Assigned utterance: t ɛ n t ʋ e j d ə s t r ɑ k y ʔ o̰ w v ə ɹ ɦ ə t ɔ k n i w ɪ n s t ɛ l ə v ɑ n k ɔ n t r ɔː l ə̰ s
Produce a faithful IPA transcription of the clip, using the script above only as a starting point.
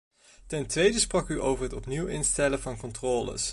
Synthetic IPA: t ɛ n t ʋ e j d ə s p r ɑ k y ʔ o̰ w v ə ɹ ɦ ə t ɔ p n i w ɪ n s t ɛ l ə v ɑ n k ɔ n t r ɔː l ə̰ s